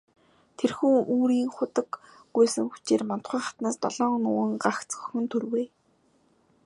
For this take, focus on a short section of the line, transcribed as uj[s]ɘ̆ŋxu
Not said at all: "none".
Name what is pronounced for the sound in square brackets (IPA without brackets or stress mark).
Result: s